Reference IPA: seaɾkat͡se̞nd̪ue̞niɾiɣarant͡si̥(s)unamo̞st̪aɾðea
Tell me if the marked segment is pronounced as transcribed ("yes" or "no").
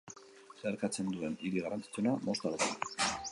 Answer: no